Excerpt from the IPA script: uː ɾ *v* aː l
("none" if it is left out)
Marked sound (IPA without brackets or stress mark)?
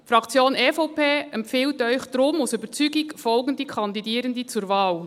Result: v